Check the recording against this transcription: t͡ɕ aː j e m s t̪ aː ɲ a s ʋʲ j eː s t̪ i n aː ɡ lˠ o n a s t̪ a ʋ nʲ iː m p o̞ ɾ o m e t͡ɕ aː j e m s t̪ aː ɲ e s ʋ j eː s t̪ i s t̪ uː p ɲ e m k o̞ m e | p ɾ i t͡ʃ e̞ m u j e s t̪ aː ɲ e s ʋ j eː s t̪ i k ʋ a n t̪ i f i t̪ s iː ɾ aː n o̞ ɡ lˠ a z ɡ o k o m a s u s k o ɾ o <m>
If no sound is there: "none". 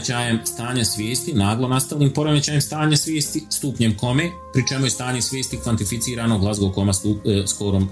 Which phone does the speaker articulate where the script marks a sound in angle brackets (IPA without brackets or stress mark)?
m